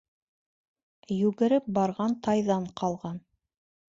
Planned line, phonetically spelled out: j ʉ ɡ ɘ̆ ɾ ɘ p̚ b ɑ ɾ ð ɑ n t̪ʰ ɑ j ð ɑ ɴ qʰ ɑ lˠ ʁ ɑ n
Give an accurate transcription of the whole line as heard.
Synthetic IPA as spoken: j ʉ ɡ ɘ̆ ɾ ɘ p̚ b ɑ ɾ ʁ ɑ n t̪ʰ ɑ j ð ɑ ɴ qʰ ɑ lˠ ʁ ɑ n